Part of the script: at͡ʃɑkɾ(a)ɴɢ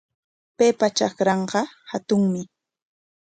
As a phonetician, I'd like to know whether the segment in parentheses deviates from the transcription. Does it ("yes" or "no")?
yes